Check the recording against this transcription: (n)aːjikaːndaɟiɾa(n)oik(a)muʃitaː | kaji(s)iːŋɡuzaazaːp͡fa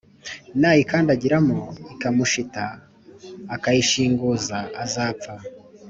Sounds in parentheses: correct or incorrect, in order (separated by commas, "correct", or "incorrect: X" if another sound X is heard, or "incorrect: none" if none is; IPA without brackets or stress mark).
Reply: correct, incorrect: m, correct, incorrect: ʃ